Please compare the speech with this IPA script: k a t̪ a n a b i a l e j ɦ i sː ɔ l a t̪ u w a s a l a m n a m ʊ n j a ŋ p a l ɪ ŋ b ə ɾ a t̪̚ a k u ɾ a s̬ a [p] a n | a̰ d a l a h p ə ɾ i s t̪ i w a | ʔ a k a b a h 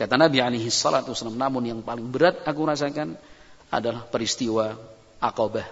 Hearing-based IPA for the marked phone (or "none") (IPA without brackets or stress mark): k